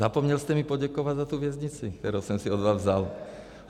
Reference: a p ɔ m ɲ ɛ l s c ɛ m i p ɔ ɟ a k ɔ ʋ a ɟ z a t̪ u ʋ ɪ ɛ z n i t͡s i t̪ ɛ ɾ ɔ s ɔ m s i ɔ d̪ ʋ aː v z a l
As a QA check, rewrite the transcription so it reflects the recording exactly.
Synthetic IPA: a p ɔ m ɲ ɛ l s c ɛ m i p ɔ ɟ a k ɔ ʋ a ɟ z a t̪ u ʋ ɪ ɛ z ɲ i t͡s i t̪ ɛ ɾ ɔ s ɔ m s i ɔ d̪ ʋ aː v z a l